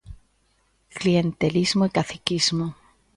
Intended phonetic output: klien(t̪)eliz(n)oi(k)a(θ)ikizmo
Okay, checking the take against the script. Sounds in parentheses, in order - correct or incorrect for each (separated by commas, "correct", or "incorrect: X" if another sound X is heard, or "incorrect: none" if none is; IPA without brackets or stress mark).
correct, incorrect: m, correct, correct